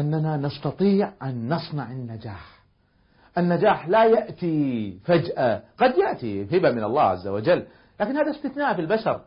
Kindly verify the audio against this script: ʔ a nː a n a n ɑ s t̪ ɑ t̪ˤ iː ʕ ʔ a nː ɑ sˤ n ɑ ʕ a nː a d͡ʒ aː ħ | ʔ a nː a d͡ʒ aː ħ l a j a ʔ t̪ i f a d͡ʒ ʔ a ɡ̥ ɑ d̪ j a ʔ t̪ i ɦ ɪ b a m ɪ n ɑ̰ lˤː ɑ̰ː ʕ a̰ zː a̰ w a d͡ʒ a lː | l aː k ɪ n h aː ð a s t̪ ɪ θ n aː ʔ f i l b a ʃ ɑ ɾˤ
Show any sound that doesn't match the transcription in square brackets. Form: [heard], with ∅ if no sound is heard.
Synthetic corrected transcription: ʔ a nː a n a n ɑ s t̪ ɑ t̪ˤ iː ʕ ʔ a nː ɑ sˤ n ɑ ʕ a nː a d͡ʒ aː ħ | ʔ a nː a d͡ʒ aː ħ l a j a ʔ t̪ i f a d͡ʒ ʔ a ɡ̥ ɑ d̪ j a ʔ t̪ i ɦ ɪ b a m ɪ n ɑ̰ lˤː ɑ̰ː ʕ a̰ zː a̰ w a d͡ʒ a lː | l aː k ɪ n h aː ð a s t̪ ɪ θ n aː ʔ f i l b a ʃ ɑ ɾˤ